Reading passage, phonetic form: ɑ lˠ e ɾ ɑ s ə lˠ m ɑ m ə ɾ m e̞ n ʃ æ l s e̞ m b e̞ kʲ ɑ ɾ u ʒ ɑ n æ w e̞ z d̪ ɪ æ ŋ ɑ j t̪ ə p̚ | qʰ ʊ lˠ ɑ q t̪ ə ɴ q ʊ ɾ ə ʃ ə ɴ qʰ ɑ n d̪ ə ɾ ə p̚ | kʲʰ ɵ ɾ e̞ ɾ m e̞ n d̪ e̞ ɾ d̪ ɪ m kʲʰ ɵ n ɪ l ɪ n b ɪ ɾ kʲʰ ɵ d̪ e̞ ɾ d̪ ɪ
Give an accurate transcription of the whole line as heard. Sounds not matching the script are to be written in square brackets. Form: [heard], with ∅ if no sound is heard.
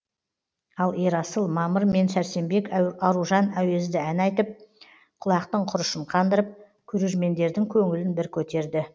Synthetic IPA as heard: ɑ lˠ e ɾ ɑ s ə lˠ m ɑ m ə ɾ m e̞ n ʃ æ [ɾ] s e̞ m b e̞ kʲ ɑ ɾ u ʒ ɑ n æ w e̞ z d̪ ɪ æ [n] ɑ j t̪ ə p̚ | qʰ ʊ lˠ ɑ q t̪ ə ɴ [qʰ] ʊ ɾ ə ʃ ə ɴ qʰ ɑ n d̪ ə ɾ ə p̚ | kʲʰ ɵ ɾ e̞ ɾ m e̞ n d̪ e̞ ɾ d̪ ɪ [ŋ] kʲʰ ɵ [ŋ] ɪ l ɪ n b ɪ ɾ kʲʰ ɵ [t̪] e̞ ɾ d̪ ɪ

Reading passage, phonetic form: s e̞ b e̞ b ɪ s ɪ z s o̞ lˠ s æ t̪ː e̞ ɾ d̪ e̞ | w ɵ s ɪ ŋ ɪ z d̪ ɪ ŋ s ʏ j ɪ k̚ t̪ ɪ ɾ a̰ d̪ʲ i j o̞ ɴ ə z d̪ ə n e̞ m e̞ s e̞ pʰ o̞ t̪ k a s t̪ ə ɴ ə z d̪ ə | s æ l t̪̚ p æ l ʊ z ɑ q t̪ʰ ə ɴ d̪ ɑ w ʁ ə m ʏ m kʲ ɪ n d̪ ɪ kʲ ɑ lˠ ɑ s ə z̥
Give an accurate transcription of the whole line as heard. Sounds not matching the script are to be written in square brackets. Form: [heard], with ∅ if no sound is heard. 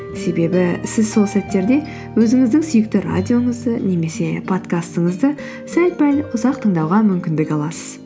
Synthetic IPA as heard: s e̞ b e̞ b ɪ s ɪ z s o̞ lˠ s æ t̪ː e̞ ɾ d̪ e̞ | w ɵ [z] ɪ ŋ ɪ z d̪ ɪ ŋ s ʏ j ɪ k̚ t̪ ɪ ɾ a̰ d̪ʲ i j o̞ ɴ ə z d̪ ə n e̞ m e̞ s e̞ pʰ o̞ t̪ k a s t̪ ə ɴ ə z d̪ ə | s æ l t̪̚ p æ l ʊ z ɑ q t̪ʰ ə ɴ d̪ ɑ w ʁ [ɑ] m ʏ m kʲ ɪ n d̪ ɪ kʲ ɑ lˠ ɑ s ə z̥

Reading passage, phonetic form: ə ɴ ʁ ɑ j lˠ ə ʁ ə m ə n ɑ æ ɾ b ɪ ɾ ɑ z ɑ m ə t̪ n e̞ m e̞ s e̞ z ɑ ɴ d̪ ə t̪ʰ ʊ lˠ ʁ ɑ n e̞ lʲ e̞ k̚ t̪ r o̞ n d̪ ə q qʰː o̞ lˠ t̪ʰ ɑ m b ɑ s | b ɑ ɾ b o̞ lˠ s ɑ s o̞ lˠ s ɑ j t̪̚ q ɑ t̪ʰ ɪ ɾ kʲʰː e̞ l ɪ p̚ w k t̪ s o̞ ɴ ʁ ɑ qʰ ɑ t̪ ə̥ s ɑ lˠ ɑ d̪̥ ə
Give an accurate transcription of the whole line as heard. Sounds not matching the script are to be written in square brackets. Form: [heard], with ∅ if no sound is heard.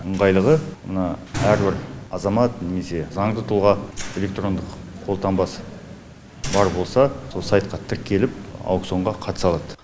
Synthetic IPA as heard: ə ɴ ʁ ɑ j lˠ ə ʁ ə m ə n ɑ æ ɾ b ɪ ɾ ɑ z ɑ m [ɑ] t̪ n e̞ m e̞ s e̞ z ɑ ɴ d̪ ə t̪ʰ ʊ lˠ ʁ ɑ [∅] e̞ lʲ e̞ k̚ t̪ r o̞ n d̪ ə q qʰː o̞ lˠ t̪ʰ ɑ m b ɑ s | b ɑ ɾ b o̞ lˠ s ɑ s o̞ lˠ s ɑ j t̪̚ q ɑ t̪ʰ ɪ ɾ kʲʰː e̞ l ɪ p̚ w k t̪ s o̞ ɴ ʁ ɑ qʰ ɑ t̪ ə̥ s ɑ lˠ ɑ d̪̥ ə

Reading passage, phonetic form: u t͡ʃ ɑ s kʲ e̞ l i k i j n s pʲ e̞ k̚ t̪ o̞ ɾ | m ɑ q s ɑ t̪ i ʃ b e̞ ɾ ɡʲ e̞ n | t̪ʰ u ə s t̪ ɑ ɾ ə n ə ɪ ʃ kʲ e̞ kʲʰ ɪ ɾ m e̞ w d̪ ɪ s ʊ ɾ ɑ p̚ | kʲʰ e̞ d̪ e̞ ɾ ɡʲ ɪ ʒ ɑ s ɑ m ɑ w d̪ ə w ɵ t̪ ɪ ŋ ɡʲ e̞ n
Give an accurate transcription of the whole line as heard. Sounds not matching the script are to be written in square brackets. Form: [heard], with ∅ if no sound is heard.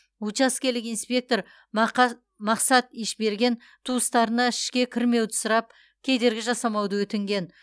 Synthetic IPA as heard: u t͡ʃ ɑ s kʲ e̞ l [ɪ] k i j n s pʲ e̞ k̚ t̪ o̞ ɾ | m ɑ q s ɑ t̪ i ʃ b e̞ ɾ ɡʲ e̞ n | t̪ʰ u ə s t̪ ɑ ɾ ə n [ɑ] ɪ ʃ kʲ e̞ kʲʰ ɪ ɾ m e̞ w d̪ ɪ s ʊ ɾ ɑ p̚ | kʲʰ e̞ d̪ e̞ ɾ ɡʲ ɪ ʒ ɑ s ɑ m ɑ w d̪ ə w ɵ t̪ ɪ ŋ ɡʲ e̞ n

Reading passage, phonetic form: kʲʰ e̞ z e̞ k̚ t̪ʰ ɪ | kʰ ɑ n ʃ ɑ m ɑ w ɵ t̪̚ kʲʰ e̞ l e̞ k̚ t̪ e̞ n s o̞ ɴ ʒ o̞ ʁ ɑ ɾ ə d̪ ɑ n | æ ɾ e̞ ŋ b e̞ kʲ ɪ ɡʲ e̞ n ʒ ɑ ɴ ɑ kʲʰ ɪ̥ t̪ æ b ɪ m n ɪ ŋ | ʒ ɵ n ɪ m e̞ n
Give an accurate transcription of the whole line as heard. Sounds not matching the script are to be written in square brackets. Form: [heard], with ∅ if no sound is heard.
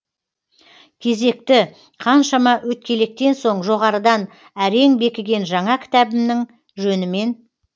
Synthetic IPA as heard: kʲʰ e̞ z e̞ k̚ [t̪] ɪ | [qʰ] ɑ n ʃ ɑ m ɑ w ɵ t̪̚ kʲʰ e̞ l e̞ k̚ t̪ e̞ n s o̞ ɴ ʒ o̞ ʁ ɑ ɾ ə d̪ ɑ n | æ ɾ e̞ ŋ b e̞ kʲ ɪ ɡʲ e̞ n ʒ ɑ ɴ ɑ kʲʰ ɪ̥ t̪ æ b ɪ m n ɪ ŋ | ʒ ɵ n ɪ m e̞ n

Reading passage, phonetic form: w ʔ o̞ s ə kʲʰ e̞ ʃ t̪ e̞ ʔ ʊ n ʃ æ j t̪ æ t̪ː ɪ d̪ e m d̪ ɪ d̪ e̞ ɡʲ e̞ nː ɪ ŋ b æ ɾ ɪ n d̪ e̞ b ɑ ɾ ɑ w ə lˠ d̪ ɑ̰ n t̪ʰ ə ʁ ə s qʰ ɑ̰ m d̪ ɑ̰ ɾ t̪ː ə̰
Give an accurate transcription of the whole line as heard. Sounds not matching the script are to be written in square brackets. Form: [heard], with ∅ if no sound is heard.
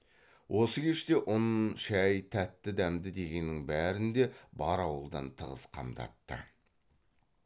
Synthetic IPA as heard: w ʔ o̞ s ə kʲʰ e̞ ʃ t̪ e̞ ʔ ʊ n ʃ æ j [t̪ʰ] æ t̪ː ɪ d̪ [æ] m d̪ ɪ d̪ e̞ ɡʲ e̞ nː ɪ ŋ b æ ɾ ɪ n d̪ e̞ b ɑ ɾ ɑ w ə lˠ d̪ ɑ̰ n t̪ʰ ə ʁ ə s qʰ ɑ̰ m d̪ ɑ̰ [∅] t̪ː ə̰

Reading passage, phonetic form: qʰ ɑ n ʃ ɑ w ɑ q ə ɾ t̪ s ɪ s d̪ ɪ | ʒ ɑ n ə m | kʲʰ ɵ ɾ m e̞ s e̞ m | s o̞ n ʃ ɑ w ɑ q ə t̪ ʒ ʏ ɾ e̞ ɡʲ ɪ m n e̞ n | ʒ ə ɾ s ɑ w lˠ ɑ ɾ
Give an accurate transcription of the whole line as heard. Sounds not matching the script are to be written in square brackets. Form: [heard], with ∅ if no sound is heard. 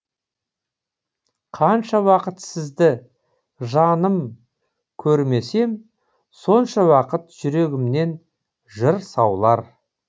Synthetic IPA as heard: qʰ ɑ n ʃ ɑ w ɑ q ə [∅] t̪ s ɪ [z] d̪ ɪ | ʒ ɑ n ə m | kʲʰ ɵ ɾ m e̞ s e̞ m | s o̞ n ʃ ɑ w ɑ q ə t̪ ʒ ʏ ɾ e̞ ɡʲ ɪ m n e̞ n | ʒ ə ɾ s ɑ w lˠ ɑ ɾ

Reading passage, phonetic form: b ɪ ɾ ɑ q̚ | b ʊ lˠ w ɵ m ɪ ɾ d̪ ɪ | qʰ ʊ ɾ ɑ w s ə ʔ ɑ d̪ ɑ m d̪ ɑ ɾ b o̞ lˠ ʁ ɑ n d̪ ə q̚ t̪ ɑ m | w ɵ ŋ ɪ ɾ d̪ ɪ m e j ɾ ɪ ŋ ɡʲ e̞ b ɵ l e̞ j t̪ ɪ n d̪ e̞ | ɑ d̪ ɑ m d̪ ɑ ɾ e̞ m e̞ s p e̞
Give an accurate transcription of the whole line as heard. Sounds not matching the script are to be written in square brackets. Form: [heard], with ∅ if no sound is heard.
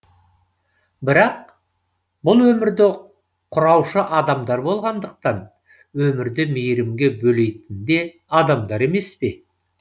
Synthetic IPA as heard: b ɪ ɾ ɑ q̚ | b ʊ lˠ w ɵ m ɪ ɾ d̪ ɪ | qʰ ʊ ɾ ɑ w [ʃ] ə ʔ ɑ d̪ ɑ m d̪ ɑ ɾ b o̞ lˠ ʁ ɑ n d̪ ə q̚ t̪ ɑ [n] | w ɵ [m] ɪ ɾ d̪ ɪ m e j ɾ ɪ [m] ɡʲ e̞ b ɵ l e̞ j t̪ ɪ n d̪ e̞ | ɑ d̪ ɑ m d̪ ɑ ɾ e̞ m e̞ s p e̞

